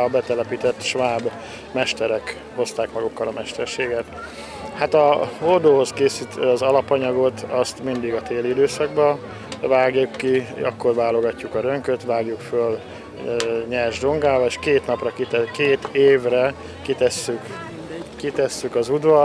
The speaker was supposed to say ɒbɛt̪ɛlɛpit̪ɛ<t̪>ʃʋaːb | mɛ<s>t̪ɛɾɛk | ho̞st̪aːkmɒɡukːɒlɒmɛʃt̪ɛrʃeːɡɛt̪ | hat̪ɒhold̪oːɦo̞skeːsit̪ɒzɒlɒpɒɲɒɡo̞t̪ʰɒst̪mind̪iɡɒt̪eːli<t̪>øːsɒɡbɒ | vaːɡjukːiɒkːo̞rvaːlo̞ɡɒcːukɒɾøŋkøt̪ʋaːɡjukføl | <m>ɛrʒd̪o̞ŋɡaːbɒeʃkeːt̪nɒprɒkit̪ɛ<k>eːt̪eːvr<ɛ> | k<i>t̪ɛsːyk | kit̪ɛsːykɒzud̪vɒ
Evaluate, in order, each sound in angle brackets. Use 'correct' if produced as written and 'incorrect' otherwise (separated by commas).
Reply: correct, incorrect, incorrect, incorrect, correct, correct, correct